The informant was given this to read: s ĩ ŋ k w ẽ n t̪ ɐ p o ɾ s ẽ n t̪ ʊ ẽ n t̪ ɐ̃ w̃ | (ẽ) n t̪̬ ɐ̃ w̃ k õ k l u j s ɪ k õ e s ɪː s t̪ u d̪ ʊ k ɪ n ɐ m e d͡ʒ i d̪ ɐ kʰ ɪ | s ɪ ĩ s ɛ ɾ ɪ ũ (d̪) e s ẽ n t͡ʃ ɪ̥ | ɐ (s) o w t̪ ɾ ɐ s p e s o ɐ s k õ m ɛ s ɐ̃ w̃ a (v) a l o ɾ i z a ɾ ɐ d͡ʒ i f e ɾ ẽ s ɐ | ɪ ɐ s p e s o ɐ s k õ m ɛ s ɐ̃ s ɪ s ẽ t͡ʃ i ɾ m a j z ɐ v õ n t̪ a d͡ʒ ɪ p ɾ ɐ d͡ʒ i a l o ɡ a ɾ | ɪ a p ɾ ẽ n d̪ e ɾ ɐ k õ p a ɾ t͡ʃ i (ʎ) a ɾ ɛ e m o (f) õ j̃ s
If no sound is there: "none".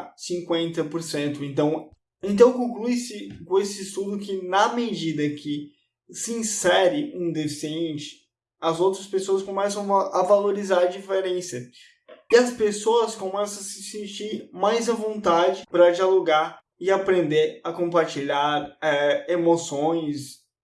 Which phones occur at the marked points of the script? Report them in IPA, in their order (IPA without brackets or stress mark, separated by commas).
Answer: ẽ, d̪, z, v, ʎ, s